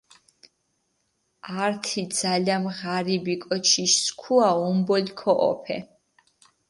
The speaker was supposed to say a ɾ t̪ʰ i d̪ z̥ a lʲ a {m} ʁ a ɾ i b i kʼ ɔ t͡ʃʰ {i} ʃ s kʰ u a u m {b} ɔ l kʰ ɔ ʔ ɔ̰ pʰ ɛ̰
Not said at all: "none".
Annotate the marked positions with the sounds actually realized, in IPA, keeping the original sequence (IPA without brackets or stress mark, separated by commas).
m, i, b